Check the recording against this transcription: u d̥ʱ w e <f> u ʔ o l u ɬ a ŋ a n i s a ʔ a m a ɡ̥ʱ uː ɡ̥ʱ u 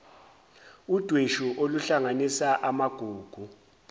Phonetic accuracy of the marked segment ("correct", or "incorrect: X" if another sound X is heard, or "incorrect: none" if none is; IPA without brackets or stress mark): incorrect: ʃ